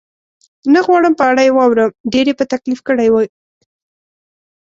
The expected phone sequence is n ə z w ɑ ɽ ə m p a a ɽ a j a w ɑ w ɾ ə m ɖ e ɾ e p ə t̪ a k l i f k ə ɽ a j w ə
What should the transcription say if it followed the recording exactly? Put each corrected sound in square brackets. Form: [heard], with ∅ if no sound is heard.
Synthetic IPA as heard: n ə [ɣ] w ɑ ɽ ə m p [ə] a ɽ a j [e] w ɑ w ɾ ə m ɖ e ɾ e p ə t̪ a k l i f k ə ɽ a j w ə